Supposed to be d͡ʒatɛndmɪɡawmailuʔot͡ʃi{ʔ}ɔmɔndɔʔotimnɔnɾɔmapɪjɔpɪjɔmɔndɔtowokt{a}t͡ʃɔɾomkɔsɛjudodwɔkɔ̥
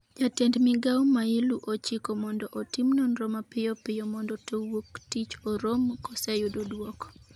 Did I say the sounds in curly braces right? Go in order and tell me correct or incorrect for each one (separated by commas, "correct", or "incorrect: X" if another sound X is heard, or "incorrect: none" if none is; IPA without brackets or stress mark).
incorrect: k, incorrect: i